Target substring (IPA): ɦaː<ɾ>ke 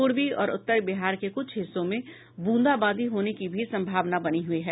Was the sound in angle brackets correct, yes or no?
yes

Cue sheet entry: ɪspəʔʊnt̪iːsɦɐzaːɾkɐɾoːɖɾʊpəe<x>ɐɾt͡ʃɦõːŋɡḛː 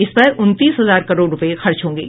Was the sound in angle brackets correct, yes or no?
yes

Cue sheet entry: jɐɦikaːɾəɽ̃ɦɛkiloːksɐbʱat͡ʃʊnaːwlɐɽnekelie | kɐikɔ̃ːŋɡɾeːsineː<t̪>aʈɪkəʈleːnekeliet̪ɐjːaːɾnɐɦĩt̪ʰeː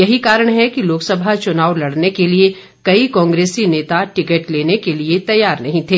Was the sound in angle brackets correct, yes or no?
yes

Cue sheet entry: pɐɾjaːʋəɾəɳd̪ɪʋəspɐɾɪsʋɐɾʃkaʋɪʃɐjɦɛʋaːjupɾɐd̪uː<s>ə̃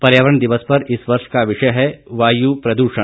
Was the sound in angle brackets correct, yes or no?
no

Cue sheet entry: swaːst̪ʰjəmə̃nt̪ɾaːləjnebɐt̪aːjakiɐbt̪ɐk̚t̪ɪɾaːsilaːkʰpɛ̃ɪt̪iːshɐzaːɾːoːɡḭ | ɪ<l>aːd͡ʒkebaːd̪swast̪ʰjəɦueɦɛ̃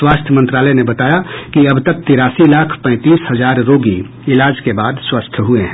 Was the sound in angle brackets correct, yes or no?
yes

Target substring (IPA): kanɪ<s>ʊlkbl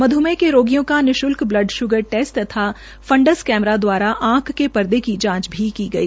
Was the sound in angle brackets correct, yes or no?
no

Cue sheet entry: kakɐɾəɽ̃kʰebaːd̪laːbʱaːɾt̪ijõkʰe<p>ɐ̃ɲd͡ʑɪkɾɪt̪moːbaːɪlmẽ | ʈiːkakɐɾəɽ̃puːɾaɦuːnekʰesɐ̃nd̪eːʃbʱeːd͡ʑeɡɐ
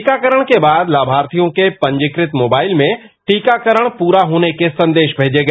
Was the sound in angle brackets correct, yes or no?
yes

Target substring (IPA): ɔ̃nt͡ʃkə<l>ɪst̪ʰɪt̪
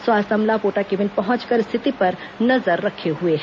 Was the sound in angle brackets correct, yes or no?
no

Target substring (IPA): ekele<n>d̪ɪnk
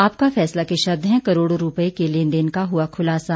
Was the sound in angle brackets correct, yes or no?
yes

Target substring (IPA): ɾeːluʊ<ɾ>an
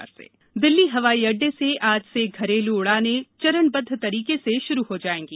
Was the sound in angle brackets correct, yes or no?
no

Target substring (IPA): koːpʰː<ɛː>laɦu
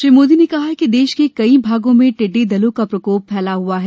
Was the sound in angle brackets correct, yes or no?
yes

